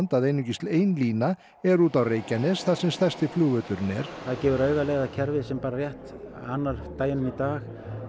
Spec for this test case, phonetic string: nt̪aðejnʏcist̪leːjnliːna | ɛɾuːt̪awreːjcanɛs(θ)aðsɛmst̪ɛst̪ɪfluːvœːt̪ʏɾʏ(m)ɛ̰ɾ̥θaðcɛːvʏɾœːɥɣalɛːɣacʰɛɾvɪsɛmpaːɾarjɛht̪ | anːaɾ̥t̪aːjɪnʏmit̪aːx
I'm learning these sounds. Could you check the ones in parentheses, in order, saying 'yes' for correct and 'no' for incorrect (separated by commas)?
yes, no